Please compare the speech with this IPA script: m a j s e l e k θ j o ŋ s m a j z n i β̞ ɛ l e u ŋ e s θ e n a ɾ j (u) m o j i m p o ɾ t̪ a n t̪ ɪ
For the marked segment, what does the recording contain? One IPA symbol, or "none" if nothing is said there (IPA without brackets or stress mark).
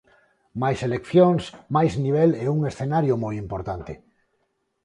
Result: o